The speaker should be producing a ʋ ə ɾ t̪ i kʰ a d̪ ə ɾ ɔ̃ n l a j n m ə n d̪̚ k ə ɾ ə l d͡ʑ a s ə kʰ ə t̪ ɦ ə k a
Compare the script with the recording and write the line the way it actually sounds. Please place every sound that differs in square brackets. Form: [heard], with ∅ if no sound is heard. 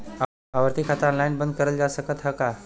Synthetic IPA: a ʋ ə ɾ t̪ i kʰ a [t̪] ə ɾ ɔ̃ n l a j n [b] ə n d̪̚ k ə ɾ ə l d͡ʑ a s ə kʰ ə t̪ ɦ ə k a